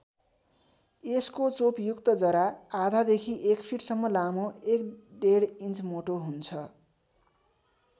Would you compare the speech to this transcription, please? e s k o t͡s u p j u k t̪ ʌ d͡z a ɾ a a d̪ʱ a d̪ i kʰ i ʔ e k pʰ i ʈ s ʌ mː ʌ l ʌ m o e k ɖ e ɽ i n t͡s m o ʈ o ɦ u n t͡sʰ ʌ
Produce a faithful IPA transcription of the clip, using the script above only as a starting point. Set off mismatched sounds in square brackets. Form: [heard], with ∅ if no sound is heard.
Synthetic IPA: e s k o t͡s [o] p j u k t̪ ʌ d͡z [ʌ] ɾ a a d̪ʱ a d̪ [e] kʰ i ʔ e k pʰ i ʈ s ʌ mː ʌ l [a] m o e k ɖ e ɽ i n t͡s m o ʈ o ɦ u n t͡sʰ ʌ